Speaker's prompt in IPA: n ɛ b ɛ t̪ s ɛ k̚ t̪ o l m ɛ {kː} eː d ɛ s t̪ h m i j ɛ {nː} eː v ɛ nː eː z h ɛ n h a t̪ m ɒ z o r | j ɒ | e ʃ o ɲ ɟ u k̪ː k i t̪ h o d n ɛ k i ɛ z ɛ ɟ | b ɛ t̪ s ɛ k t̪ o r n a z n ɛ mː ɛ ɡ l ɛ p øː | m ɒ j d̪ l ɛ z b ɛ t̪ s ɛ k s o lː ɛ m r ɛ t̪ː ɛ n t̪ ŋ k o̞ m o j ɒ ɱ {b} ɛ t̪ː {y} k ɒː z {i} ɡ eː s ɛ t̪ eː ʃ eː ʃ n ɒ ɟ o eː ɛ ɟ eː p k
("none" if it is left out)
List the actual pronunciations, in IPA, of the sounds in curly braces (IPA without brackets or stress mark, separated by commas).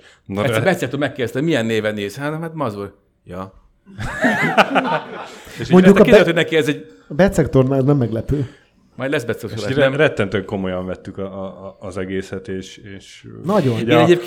kː, nː, v, y, ɛ